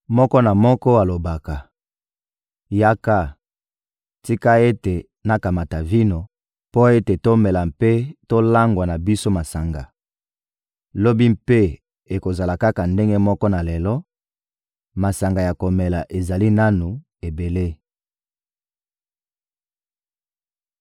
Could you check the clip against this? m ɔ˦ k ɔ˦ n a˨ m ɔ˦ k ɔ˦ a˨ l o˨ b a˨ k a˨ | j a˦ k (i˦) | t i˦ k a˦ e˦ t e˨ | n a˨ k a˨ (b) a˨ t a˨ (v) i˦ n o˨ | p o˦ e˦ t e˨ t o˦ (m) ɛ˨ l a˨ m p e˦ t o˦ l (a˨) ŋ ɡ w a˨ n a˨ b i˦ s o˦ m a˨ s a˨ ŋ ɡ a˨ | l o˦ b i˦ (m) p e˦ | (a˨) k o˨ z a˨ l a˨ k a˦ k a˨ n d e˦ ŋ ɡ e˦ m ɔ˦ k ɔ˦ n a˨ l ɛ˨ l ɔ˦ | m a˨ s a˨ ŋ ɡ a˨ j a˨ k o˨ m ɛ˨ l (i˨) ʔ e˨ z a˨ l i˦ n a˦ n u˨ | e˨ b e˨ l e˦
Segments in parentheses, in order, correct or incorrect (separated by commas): incorrect, incorrect, correct, correct, incorrect, correct, incorrect, incorrect